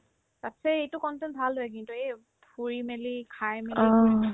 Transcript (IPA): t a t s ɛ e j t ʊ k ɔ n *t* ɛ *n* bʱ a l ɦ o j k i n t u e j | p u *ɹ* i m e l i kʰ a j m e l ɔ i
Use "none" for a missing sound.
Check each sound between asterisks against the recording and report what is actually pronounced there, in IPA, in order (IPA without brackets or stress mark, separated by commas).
t, n, ɹ